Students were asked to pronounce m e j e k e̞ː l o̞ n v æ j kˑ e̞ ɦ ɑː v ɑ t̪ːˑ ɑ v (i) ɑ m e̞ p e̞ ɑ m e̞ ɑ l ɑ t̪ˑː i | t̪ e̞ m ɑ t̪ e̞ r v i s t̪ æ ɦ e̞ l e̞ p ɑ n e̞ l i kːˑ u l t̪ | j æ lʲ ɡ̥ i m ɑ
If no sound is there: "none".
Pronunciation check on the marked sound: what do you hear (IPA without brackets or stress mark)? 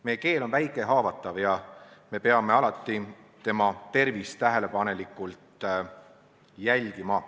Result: j